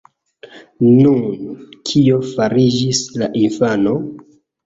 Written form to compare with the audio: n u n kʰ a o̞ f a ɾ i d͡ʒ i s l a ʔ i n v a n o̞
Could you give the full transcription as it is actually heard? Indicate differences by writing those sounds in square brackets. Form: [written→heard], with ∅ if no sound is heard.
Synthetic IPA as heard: n u n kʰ [a→i] o̞ f a ɾ i d͡ʒ i s l a ʔ i n [v→f] a n o̞